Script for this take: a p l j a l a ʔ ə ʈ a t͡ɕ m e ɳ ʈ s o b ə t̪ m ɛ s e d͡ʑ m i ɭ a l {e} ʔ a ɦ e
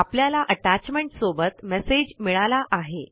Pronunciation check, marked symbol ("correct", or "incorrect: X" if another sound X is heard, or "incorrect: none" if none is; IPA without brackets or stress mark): incorrect: a